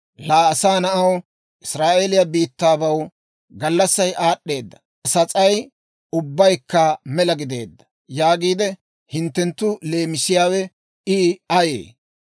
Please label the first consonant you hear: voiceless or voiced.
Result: voiced